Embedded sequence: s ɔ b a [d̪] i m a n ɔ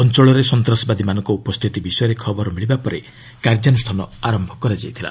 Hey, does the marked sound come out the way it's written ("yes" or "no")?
yes